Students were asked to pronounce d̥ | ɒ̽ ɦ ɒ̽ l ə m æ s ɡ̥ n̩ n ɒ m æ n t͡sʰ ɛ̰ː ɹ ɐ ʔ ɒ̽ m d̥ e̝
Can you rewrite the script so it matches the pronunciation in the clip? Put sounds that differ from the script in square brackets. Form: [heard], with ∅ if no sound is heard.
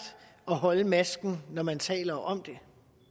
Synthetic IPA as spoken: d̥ | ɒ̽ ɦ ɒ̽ l ə m æ s ɡ̥ n̩ n ɒ m æ n t͡sʰ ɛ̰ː [l] ɐ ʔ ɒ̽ m d̥ e̝